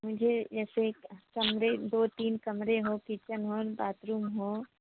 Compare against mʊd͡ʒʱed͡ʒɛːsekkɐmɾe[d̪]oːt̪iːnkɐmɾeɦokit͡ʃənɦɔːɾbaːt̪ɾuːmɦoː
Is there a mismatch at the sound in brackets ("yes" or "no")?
no